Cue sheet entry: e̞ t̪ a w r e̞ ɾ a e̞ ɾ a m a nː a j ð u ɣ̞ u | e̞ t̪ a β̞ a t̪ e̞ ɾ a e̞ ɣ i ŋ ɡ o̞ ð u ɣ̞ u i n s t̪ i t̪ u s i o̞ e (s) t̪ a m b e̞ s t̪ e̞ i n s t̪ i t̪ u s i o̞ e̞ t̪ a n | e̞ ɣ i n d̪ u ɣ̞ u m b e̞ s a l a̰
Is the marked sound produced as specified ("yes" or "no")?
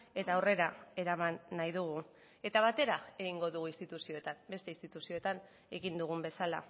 no